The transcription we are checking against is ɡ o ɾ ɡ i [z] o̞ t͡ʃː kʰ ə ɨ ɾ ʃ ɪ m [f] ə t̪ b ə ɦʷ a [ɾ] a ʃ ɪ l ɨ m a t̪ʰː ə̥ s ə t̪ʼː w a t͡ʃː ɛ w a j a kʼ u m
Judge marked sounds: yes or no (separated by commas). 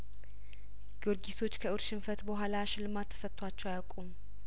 no, yes, no